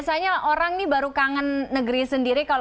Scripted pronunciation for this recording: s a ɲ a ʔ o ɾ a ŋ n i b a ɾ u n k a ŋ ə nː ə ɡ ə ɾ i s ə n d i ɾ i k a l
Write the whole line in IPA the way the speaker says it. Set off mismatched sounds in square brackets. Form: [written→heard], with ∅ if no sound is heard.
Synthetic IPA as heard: s a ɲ a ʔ o ɾ a ŋ n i b a ɾ u [n→∅] k a ŋ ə nː ə ɡ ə ɾ i s ə n d i ɾ i k a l

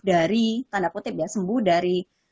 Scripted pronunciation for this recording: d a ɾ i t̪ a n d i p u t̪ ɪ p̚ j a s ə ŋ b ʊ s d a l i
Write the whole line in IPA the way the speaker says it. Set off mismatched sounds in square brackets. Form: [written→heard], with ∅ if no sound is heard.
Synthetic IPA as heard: d a ɾ i t̪ a n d [i→a] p u t̪ ɪ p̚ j a s ə [ŋ→m] b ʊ [s→h] d a [l→ɾ] i

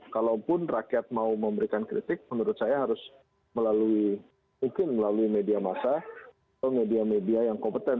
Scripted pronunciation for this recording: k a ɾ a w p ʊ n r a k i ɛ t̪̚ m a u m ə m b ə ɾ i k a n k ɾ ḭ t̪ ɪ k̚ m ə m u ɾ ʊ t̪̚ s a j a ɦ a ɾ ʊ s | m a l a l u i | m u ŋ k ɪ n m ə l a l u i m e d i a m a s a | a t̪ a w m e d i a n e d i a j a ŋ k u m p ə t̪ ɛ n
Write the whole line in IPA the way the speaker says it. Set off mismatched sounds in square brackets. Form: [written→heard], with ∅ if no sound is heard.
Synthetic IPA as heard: k a [ɾ→l] a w p ʊ n r a k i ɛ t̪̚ m a u m ə m b ə ɾ i k a n k ɾ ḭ t̪ ɪ k̚ m ə [m→n] u ɾ ʊ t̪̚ s a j a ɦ a ɾ ʊ s | m [a→ə] l a l u i | m u ŋ k ɪ n m ə l a l u i m e d i a m a s a | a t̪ a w m e d i a [n→m] e d i a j a ŋ k [u→ɔ] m p ə t̪ ɛ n

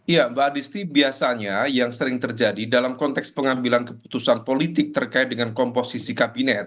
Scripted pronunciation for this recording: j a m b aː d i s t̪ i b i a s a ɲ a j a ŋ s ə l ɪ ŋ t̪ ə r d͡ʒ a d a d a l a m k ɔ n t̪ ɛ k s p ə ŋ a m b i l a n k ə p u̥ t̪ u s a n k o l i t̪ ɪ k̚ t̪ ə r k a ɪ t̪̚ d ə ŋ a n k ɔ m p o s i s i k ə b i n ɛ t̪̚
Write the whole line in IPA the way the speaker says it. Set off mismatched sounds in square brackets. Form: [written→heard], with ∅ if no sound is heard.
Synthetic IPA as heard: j a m b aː d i s t̪ i b i a s a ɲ a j a ŋ s ə [l→ɾ] ɪ ŋ t̪ ə r d͡ʒ a d [a→i] d a l a m k ɔ n t̪ ɛ k s p ə ŋ a m b i l a n k ə p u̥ t̪ u s a n [k→p] o l i t̪ ɪ k̚ t̪ ə r k a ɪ t̪̚ d ə ŋ a n k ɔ m p o s i s i k [ə→a] b i n ɛ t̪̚

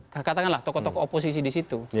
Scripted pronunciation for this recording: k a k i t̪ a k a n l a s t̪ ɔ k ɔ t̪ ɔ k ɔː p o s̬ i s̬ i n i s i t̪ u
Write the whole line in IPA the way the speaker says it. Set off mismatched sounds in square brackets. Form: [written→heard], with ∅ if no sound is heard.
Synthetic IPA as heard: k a k [i→a] t̪ a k a n l a [s→h] t̪ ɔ k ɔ t̪ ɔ k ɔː p o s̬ i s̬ i [n→d] i s i t̪ u

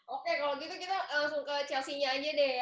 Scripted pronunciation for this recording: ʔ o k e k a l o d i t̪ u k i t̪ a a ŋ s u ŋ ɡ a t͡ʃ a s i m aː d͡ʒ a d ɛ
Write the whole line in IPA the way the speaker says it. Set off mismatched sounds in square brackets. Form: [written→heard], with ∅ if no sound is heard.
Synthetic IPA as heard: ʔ o k e k a l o [d→ɡ] i t̪ u k i t̪ a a ŋ s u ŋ [ɡ→k] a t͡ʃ a s i [m→ɲ] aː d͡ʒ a d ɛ

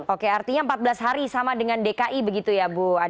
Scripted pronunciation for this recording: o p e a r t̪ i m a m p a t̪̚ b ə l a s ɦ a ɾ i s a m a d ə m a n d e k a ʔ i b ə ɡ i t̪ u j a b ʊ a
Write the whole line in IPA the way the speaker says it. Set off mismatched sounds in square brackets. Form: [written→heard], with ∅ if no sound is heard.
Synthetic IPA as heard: o [p→k] e a r t̪ i [m→ɲ] a m p a t̪̚ b ə l a s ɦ a ɾ i s a m a d ə [m→ŋ] a n d e k a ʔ i b ə ɡ i t̪ u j a b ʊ a

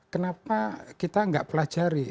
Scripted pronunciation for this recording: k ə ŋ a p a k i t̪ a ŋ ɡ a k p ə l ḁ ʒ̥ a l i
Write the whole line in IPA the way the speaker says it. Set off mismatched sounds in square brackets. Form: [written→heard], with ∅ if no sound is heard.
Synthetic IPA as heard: k ə [ŋ→n] a p a k i t̪ a ŋ ɡ a [k→ʔ] p ə l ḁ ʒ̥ a [l→ɾ] i

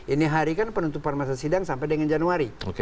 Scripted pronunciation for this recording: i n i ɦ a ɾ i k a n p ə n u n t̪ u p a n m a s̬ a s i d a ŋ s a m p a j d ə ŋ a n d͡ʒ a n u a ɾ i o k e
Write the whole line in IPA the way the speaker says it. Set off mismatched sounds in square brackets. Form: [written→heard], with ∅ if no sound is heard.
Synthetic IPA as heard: i n i ɦ a ɾ i k a n p ə n u n t̪ u p a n m a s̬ a s i d a ŋ s a m p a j d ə ŋ a n d͡ʒ a n u a ɾ i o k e

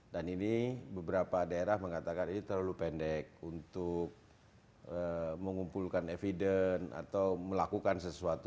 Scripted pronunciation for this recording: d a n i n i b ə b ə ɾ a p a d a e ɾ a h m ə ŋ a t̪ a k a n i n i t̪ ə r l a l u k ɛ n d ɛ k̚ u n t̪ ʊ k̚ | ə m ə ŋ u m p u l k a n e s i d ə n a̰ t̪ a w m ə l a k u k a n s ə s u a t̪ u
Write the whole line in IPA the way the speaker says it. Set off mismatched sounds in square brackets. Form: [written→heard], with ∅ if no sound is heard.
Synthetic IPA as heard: d a n i n i b ə b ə ɾ a p a d a e ɾ a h m ə ŋ a t̪ a k a n i n i t̪ ə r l a l u [k→p] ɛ n d ɛ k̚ u n t̪ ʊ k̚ | ə m ə ŋ u m p u l k a n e [s→f] i d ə n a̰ t̪ a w m ə l a k u k a n s ə s u a t̪ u

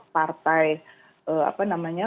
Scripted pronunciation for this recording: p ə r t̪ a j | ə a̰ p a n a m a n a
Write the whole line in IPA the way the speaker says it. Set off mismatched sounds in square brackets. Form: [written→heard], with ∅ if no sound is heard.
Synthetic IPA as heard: p [ə→a] r t̪ a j | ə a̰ p a n a m a [n→ɲ] a

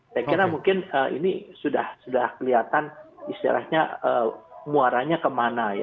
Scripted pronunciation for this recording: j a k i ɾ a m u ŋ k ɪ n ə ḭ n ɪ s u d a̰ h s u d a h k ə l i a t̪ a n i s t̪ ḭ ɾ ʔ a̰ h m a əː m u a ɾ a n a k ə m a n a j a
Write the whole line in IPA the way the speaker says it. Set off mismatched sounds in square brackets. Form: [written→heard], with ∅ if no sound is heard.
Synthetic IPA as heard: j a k i ɾ a m u ŋ k ɪ n ə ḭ n [ɪ→i] s u d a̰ h s u d a h k ə l i a t̪ a n i s t̪ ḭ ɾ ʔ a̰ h [m→ɲ] a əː m u a ɾ a [n→ɲ] a k ə m a n a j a

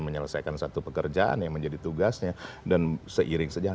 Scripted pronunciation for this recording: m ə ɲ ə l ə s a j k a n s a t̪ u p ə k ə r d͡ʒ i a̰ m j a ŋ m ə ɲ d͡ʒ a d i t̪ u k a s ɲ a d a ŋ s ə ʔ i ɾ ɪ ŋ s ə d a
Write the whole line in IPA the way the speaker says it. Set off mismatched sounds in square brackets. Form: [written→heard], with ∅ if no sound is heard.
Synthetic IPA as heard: m ə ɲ ə l ə s a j k a n s a t̪ u p ə k ə r d͡ʒ [i→a] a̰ [m→n] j a ŋ m ə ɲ d͡ʒ a d i t̪ u [k→ɡ] a s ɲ a d a [ŋ→n] s ə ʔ i ɾ ɪ ŋ s ə [d→d͡ʒ] a

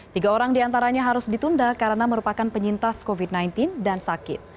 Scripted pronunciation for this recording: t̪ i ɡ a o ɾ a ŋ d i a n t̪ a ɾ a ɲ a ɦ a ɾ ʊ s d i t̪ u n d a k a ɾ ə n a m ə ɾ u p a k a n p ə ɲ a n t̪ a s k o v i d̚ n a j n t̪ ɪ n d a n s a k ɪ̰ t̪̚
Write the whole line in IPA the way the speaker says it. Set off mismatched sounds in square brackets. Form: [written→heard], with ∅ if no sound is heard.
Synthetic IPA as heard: t̪ i ɡ a o ɾ a ŋ d i a n t̪ a ɾ a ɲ a ɦ a ɾ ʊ s d i t̪ u n d a k a ɾ ə n a m ə ɾ u p a k a n p ə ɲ [a→i] n t̪ a s k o v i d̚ n a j n t̪ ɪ n d a n s a k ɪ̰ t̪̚

